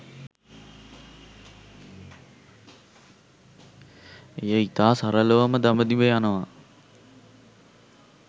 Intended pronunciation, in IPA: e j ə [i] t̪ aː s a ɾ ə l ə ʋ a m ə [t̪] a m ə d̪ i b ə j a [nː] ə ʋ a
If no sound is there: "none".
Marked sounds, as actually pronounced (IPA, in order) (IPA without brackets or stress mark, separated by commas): i, d̪, n